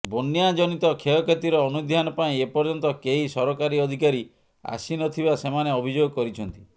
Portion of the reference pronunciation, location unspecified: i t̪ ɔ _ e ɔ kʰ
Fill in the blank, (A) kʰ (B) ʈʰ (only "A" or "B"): A